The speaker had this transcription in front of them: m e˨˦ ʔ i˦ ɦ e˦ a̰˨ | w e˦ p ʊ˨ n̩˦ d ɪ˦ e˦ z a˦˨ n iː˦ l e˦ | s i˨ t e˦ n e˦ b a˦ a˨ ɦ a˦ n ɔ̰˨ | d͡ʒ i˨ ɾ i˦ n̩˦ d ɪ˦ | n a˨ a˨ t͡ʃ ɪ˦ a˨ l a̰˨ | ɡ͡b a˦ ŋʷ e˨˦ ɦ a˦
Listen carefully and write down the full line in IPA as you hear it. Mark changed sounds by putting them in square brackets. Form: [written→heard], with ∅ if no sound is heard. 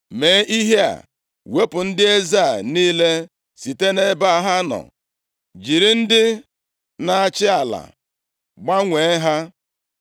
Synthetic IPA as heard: m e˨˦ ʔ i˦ ɦ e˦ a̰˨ | w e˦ p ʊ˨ n̩˦ d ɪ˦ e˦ z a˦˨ n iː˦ l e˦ | s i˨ t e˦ n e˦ b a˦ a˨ ɦ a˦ n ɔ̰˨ | d͡ʒ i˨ ɾ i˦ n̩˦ d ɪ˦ | n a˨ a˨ t͡ʃ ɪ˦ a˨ l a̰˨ | ɡ͡b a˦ ŋʷ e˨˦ ɦ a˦